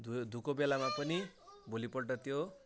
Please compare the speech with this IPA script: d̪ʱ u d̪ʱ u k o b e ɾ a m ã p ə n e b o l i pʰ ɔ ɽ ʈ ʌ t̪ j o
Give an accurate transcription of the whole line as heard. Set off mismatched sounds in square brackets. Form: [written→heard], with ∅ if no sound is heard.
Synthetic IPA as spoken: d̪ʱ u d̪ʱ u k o b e [ɾ→l] a m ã p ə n [e→i] b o l i [pʰ→p] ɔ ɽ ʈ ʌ t̪ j o